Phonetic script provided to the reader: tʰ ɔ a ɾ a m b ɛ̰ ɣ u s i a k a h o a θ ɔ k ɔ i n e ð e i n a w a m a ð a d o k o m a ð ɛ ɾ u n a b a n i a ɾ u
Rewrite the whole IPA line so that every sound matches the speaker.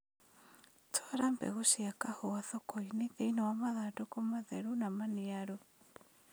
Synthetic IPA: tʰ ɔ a ɾ a m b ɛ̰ ɣ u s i a k a h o a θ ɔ k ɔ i n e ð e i n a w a m a ð a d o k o m a ð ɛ ɾ u n a m a n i a ɾ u